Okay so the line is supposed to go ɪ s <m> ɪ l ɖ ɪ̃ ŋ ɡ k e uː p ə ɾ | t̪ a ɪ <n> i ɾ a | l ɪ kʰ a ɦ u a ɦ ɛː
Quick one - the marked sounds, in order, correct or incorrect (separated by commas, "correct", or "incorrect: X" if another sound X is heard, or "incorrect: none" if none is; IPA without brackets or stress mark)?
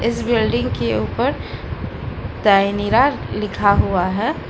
incorrect: b, correct